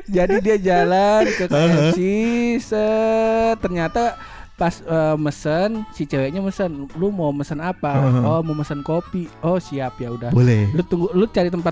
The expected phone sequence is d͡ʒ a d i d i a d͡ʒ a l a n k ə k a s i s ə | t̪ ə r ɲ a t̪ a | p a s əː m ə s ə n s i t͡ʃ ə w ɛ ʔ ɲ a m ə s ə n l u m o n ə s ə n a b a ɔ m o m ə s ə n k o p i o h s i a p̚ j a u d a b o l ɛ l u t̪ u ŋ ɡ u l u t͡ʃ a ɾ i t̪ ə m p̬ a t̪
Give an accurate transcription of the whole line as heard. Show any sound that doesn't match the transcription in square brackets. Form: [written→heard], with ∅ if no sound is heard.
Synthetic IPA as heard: d͡ʒ a d i d i a d͡ʒ a l a n k ə k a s i s ə | t̪ ə r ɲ a t̪ a | p a s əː m ə s ə n s i t͡ʃ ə w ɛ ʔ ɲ a m ə s ə n l u m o [n→m] ə s ə n a [b→p] a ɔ m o m ə s ə n k o p i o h s i a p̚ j a u d a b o l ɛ l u t̪ u ŋ ɡ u l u t͡ʃ a ɾ i t̪ ə m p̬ a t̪